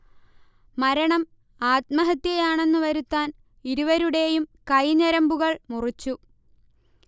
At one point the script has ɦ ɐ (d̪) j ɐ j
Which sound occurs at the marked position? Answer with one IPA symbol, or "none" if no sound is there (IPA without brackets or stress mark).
t̪